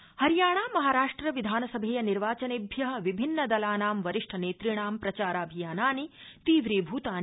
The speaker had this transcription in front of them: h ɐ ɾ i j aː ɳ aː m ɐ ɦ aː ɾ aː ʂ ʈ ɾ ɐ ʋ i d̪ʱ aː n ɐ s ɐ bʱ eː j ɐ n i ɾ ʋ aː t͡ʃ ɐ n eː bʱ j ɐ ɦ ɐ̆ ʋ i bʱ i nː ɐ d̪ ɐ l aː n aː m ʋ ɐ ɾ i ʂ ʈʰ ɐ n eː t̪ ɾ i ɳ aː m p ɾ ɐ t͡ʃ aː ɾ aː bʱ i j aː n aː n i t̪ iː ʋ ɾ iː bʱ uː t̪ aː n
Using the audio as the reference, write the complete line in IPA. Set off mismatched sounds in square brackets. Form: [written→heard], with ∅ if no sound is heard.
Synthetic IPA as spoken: h ɐ ɾ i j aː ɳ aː m ɐ ɦ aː ɾ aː ʂ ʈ ɾ ɐ ʋ i d̪ʱ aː n ɐ s ɐ bʱ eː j ɐ n i ɾ ʋ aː t͡ʃ ɐ n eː bʱ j ɐ ɦ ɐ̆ ʋ i bʱ i nː ɐ d̪ ɐ l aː n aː m ʋ ɐ ɾ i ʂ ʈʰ ɐ n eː t̪ ɾ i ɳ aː m p ɾ ɐ t͡ʃ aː ɾ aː bʱ i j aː n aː n i t̪ iː ʋ ɾ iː bʱ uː t̪ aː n